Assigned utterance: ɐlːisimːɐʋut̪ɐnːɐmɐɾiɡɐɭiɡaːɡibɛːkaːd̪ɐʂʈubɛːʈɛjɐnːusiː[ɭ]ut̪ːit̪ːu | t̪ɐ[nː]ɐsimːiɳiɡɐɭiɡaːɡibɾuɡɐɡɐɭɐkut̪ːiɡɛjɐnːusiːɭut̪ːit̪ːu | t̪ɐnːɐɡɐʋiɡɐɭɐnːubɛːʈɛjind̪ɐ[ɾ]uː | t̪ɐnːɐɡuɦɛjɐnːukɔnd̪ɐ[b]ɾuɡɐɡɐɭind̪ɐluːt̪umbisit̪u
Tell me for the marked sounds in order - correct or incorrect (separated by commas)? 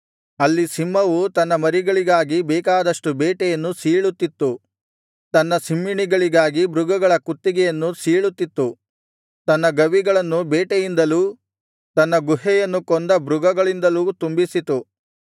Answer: correct, correct, incorrect, correct